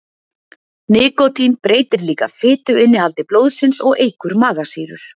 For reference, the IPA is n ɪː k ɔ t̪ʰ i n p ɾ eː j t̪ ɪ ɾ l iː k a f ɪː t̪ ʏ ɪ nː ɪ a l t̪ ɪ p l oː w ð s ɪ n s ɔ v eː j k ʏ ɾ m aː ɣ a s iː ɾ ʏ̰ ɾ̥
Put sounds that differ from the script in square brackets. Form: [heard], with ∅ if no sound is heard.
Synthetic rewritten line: n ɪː k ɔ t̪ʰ i n p ɾ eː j t̪ ɪ ɾ l iː k a f ɪː t̪ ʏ ɪ nː ɪ a l t̪ ɪ p l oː w ð s ɪ n s ɔ [ɣ] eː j k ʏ ɾ m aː ɣ a s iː ɾ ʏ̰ ɾ̥